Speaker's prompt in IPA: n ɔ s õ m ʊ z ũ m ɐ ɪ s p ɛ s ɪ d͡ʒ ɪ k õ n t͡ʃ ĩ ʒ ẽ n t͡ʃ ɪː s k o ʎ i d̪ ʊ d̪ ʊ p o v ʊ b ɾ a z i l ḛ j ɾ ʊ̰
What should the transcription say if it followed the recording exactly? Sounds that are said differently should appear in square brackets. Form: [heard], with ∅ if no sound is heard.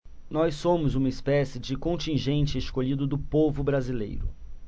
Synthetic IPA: n ɔ s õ m ʊ z ũ m ɐ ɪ s p ɛ s ɪ d͡ʒ ɪ k õ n t͡ʃ ĩ ʒ ẽ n t͡ʃ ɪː s k o ʎ i d̪ ʊ d̪ ʊ p o v ʊ b ɾ a z i l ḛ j ɾ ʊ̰